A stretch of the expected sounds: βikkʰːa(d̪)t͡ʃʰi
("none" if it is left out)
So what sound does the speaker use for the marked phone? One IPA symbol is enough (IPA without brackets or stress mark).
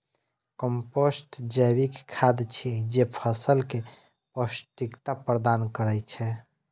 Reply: d̪